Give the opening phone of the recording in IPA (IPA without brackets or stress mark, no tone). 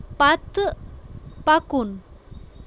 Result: p